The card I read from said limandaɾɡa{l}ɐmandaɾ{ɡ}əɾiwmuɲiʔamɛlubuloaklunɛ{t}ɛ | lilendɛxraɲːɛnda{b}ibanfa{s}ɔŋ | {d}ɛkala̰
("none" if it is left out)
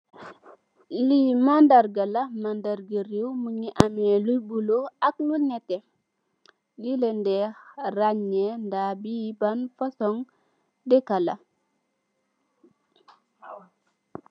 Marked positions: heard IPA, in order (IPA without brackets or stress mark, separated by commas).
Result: l, ɡ, t, b, s, d